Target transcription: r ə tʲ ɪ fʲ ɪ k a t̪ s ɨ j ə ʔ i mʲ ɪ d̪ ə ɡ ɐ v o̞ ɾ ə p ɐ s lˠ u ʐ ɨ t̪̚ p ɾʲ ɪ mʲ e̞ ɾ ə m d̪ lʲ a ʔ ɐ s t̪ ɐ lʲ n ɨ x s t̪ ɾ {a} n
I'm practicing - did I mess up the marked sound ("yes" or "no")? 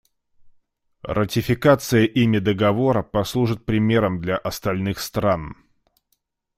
no